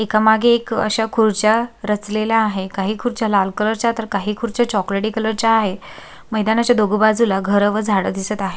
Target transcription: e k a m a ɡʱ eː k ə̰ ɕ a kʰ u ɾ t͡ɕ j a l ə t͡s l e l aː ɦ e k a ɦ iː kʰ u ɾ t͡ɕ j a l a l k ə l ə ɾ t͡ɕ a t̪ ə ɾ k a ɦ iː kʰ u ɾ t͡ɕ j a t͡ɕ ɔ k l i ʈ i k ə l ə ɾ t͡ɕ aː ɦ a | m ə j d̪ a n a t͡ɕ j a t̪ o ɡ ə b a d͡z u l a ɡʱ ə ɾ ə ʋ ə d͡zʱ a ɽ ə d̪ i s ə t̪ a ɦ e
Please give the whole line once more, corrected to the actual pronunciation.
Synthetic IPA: e k a m a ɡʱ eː k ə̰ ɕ a kʰ u ɾ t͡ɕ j a ɾ ə t͡s l e l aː ɦ e k a ɦ iː kʰ u ɾ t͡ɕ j a l a l k ə l ə ɾ t͡ɕ a t̪ ə ɾ k a ɦ iː kʰ u ɾ t͡ɕ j a t͡ɕ ɔ k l e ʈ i k ə l ə ɾ t͡ɕ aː ɦ e | m ə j d̪ a n a t͡ɕ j a d̪ o ɡ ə b a d͡z u l a ɡʱ ə ɾ ə ʋ ə d͡zʱ a ɽ ə d̪ i s ə t̪ a ɦ e